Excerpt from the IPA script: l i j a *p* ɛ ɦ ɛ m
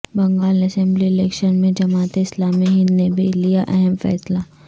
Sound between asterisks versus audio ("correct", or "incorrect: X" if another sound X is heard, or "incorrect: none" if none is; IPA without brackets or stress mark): incorrect: ʔ